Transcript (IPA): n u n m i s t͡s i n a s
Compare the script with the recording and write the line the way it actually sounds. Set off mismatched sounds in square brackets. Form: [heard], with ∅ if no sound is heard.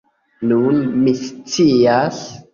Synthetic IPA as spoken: n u n m i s t͡s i [∅] a s

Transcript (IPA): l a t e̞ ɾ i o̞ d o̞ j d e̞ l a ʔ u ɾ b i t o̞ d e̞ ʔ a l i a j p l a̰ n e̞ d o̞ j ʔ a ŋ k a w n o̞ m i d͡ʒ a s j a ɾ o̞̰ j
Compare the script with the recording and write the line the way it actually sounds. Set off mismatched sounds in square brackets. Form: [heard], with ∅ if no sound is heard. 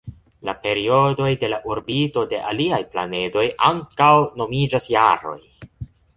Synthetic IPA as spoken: l a [p] e̞ ɾ i o̞ d o̞ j d e̞ l a ʔ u ɾ b i t o̞ d e̞ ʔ a l i a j p l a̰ n e̞ d o̞ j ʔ a ŋ k a w n o̞ m i d͡ʒ a s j a ɾ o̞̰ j

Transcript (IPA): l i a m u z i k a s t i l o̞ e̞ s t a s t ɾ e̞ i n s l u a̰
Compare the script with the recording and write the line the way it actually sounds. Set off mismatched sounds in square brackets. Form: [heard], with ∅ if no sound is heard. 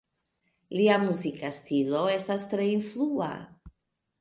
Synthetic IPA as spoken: l i a m u z i k a s t i l o̞ e̞ s t a s t ɾ e̞ i n [f] l u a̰

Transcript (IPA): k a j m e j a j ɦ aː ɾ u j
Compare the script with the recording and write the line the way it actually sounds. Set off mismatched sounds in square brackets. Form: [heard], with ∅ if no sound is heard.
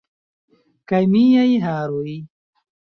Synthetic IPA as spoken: k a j m [i] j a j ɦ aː ɾ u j

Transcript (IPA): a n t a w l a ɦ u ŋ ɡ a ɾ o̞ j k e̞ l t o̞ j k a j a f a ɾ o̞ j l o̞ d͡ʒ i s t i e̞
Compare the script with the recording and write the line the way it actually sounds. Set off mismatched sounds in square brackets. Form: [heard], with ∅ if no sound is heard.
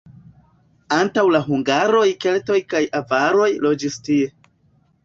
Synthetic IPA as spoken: a n t a w l a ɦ u ŋ ɡ a ɾ o̞ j k e̞ l t o̞ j k a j a [v] a ɾ o̞ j l o̞ d͡ʒ i s t i e̞

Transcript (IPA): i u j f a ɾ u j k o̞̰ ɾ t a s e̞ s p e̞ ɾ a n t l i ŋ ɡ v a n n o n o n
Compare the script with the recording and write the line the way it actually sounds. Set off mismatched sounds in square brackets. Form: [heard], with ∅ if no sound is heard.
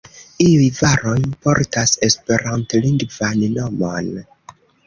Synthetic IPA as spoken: i u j [v] a ɾ [o] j [p] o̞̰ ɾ t a s e̞ s p e̞ ɾ a n t l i ŋ ɡ v a n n o [m] o n

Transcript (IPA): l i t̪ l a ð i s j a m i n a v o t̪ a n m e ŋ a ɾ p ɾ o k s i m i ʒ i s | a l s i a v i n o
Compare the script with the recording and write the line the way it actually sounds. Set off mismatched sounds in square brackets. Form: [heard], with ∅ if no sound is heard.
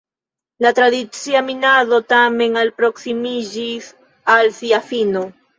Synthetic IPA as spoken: l [a] t̪ [ɾ] a ð i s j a m i n a [ð] o t̪ a [∅] m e ŋ a [l] p ɾ o k s i m i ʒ i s | a l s i a [f] i n o

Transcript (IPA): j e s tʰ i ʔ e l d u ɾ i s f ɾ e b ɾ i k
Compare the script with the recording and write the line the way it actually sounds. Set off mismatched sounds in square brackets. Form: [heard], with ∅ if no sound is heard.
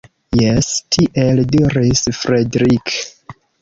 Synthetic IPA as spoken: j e s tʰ i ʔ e l d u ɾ i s f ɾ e [d] ɾ i k

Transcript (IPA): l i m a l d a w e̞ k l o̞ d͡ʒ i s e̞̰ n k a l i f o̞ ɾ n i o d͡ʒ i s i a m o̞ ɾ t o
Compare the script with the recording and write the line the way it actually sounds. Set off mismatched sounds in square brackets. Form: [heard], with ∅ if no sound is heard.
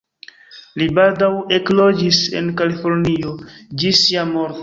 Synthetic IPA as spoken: l i [b] a l d a w e̞ k l o̞ d͡ʒ i s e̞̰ n k a l i f o̞ ɾ n i o d͡ʒ i s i a m o̞ ɾ t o

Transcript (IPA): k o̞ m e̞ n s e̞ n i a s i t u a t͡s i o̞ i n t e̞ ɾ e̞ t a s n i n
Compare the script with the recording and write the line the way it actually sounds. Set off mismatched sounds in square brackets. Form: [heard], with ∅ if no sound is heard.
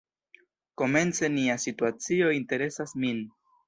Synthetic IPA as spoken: k o̞ m e̞ n [t͡s] e̞ n i a s i t u a t͡s i o̞ i n t e̞ ɾ e̞ [s] a s [m] i n

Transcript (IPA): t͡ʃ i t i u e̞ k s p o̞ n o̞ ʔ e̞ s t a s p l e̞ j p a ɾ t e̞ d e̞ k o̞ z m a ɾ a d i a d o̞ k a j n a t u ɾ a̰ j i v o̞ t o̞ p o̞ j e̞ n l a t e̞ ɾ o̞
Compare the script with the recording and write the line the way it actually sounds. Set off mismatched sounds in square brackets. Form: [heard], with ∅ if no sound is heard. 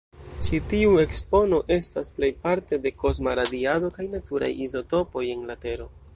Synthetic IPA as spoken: t͡ʃ i t i u e̞ k s p o̞ n o̞ ʔ e̞ s t a s p l e̞ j p a ɾ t e̞ d e̞ k o̞ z m a ɾ a d i a d o̞ k a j n a t u ɾ a̰ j i [z] o̞ t o̞ p o̞ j e̞ n l a t e̞ ɾ o̞

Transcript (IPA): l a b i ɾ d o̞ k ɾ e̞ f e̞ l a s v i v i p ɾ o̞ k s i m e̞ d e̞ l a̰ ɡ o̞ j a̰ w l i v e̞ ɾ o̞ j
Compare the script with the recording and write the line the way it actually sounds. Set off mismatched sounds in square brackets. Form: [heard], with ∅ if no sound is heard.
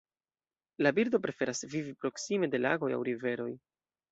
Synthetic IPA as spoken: l a b i ɾ d o̞ [p] ɾ e̞ f e̞ [ɾ] a s v i v i p ɾ o̞ k s i m e̞ d e̞ l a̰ ɡ o̞ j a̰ w [ɾ] i v e̞ ɾ o̞ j

